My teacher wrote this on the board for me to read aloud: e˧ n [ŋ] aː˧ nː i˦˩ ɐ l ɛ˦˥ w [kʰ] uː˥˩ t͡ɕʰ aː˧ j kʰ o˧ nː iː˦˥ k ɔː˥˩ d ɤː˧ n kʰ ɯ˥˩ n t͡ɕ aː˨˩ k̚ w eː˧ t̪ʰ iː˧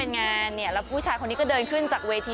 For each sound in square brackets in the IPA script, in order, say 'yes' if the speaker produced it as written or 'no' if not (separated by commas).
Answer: yes, no